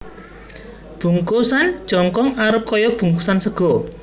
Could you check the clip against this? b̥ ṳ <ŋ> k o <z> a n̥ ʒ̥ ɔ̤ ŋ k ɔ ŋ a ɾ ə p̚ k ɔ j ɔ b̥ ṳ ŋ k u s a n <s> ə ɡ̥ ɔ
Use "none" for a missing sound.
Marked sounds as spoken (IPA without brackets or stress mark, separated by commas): ŋ, s, s